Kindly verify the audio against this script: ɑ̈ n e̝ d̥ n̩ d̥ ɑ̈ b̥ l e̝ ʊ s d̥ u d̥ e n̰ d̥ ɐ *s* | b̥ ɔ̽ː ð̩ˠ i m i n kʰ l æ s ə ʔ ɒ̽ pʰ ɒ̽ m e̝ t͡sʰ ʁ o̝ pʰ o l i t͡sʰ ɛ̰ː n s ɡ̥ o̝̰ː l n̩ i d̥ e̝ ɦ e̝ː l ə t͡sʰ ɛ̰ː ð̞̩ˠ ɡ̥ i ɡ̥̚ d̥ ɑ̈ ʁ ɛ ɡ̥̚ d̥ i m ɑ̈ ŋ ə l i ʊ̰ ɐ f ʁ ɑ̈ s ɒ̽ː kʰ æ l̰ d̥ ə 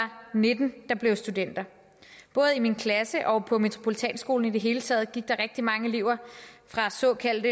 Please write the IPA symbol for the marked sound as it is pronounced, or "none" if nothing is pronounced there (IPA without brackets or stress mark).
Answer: none